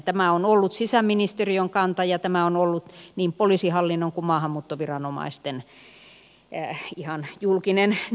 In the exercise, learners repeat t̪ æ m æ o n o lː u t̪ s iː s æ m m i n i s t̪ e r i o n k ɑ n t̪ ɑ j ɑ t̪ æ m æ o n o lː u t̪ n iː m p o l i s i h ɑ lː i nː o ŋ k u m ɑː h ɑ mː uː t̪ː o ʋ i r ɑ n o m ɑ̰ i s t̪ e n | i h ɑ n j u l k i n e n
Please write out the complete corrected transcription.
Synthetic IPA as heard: t̪ æ m æ o n o lː u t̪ s i s æ m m i n i s t̪ e r i o ŋ k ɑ n t̪ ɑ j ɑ t̪ æ m æ o n o lː u t̪ n iː m p o l i s i h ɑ lː i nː o ŋ k u m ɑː h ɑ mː uː t̪ː o ʋ i r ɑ n o m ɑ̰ i s t̪ e n | i h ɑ n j u l k i n e n